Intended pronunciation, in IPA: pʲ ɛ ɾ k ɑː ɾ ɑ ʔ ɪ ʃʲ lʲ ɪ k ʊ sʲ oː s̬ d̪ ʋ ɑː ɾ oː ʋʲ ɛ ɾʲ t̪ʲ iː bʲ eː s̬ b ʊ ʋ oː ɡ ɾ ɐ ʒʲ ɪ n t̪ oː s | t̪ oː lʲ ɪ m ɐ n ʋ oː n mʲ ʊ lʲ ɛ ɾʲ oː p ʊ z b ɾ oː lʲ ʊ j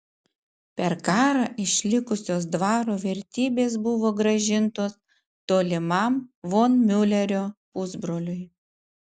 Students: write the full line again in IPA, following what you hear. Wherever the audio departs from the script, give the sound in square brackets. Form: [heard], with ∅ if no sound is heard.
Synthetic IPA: pʲ ɛ ɾ k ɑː ɾ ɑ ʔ ɪ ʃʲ lʲ ɪ k ʊ sʲ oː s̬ d̪ ʋ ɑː ɾ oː ʋʲ ɛ ɾʲ t̪ʲ iː bʲ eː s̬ b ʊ ʋ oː ɡ ɾ ɐ ʒʲ ɪ n t̪ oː s | t̪ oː lʲ ɪ m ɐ [m] ʋ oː n mʲ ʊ lʲ ɛ ɾʲ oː p ʊ z b ɾ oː lʲ ʊ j

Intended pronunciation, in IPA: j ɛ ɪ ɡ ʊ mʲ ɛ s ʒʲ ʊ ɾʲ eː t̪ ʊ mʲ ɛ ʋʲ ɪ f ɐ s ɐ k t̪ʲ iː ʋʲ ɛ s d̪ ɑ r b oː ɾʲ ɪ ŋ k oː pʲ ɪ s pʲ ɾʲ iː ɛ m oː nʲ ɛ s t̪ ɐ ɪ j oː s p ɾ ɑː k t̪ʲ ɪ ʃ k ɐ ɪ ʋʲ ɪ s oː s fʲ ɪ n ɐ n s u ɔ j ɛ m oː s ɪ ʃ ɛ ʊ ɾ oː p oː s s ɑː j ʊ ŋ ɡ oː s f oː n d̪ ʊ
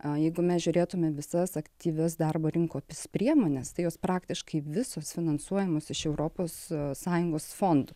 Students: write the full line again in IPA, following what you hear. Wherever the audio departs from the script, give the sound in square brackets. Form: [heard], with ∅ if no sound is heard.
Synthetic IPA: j ɛ ɪ ɡ ʊ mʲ ɛ s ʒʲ ʊ ɾʲ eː t̪ ʊ mʲ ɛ ʋʲ ɪ [s] ɐ s ɐ k t̪ʲ iː ʋʲ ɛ s d̪ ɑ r b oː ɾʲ ɪ ŋ k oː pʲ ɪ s pʲ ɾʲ [i] ɛ m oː nʲ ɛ s t̪ ɐ ɪ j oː s p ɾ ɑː k t̪ʲ ɪ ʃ k ɐ ɪ ʋʲ ɪ s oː s fʲ ɪ n ɐ n s u ɔ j ɛ m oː s ɪ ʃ ɛ ʊ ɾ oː p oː s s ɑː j ʊ ŋ ɡ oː s f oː n d̪ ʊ

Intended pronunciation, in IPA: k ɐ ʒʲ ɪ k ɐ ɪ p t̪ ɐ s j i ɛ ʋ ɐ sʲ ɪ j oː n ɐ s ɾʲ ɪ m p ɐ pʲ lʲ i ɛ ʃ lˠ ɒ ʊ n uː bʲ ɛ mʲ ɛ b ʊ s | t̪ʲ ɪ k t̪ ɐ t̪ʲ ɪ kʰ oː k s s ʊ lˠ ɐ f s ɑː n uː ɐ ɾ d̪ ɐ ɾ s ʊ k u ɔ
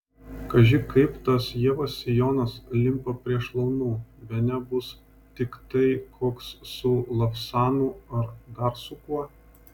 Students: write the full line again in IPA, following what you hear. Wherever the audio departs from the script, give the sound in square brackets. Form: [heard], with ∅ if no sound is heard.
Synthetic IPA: k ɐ ʒʲ ɪ k ɐ ɪ p t̪ ɐ s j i ɛ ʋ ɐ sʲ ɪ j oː n ɐ s [lʲ] ɪ m p ɐ pʲ [ɾʲ] i ɛ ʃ lˠ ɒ ʊ n uː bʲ ɛ [nʲ] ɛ b ʊ s | t̪ʲ ɪ k t̪ ɐ [∅] ɪ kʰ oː k s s ʊ lˠ ɐ f s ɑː n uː ɐ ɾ d̪ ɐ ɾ s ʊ k u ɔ

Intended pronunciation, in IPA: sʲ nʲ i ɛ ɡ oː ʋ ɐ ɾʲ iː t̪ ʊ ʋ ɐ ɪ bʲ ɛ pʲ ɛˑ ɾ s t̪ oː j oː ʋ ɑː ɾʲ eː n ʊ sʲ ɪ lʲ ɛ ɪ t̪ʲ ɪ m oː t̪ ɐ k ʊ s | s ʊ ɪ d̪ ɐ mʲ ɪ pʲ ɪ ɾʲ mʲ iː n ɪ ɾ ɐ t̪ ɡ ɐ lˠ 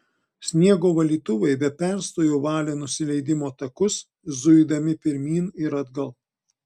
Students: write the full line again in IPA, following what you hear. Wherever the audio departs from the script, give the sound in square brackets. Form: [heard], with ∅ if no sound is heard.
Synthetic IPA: sʲ nʲ i ɛ ɡ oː ʋ ɐ [lʲ] iː t̪ ʊ ʋ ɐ ɪ bʲ ɛ pʲ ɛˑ ɾ s t̪ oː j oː ʋ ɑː [lʲ] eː n ʊ sʲ ɪ lʲ ɛ ɪ [d̪ʲ] ɪ m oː t̪ ɐ k ʊ s | [z] ʊ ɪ d̪ ɐ mʲ ɪ pʲ ɪ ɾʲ mʲ iː n ɪ ɾ ɐ [d̪] ɡ ɐ lˠ

